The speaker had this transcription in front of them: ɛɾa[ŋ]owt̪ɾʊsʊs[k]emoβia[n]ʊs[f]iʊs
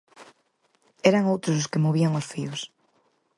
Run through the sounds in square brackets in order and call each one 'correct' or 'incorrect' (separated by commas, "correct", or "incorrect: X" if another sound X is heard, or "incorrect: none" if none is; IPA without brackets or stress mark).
correct, correct, incorrect: ŋ, correct